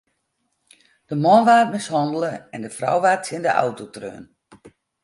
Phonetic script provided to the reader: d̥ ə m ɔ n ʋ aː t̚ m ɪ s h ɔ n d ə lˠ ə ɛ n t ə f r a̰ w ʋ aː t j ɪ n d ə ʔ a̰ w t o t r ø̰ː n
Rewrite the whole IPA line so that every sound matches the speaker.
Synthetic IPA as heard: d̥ ə m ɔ n ʋ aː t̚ m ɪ s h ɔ n d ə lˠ ə ɛ n d ə f r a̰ w ʋ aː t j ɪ n d ə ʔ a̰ w t o t r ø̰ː n